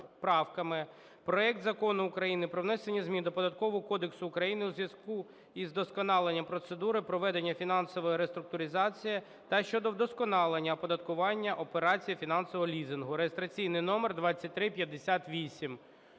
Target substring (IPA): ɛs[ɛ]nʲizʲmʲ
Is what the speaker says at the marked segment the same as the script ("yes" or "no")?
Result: no